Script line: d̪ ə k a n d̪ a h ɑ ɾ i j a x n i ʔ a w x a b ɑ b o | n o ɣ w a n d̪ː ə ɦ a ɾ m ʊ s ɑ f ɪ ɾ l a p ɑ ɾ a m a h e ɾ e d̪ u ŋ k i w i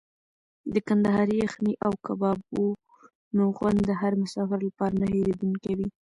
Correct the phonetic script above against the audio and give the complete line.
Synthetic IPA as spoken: d̪ ə k a n d̪ a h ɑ ɾ i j a x n i ʔ a w k a b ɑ b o | n o ɣ w a n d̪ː ə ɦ a ɾ m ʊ s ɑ f ɪ ɾ l a p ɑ ɾ a n a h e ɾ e d̪ u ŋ k a w i